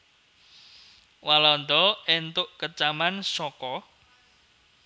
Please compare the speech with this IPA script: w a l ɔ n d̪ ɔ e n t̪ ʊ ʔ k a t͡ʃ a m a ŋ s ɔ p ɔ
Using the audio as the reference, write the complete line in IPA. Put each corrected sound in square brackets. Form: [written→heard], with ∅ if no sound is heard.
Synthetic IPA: w a l ɔ n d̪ ɔ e n t̪ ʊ ʔ k [a→ə] t͡ʃ a m a [ŋ→n] s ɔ [p→k] ɔ